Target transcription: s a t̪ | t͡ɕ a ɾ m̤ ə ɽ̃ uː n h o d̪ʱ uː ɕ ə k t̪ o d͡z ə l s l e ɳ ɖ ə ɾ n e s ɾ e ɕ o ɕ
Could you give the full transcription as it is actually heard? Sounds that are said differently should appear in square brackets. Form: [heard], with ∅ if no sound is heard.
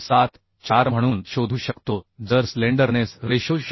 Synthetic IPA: s a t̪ | t͡ɕ a ɾ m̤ ə ɽ̃ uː n [ɕ] o d̪ʱ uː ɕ ə k t̪ o d͡z ə [ɾ] s l e ɳ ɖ ə ɾ n e s ɾ e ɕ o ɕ